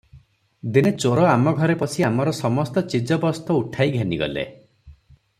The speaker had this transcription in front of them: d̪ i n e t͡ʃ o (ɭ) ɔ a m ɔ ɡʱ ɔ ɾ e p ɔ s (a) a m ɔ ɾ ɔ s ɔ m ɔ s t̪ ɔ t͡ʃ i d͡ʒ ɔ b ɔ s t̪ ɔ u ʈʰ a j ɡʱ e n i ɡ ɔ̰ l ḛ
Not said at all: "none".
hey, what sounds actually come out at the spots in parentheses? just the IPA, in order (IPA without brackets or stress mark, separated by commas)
ɾ, i